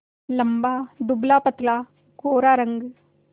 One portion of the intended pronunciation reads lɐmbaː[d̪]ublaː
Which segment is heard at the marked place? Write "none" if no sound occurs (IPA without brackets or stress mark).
d̪